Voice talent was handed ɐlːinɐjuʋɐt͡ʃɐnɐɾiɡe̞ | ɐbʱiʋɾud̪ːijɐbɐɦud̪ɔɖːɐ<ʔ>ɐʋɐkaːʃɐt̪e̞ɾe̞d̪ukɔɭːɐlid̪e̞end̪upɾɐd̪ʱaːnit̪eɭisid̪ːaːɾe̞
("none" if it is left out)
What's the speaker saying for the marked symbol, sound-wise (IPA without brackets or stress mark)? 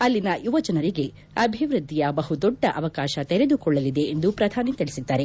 ʔ